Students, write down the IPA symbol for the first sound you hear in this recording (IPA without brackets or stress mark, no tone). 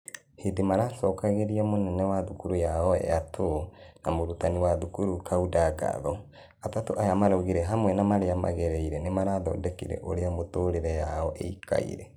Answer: h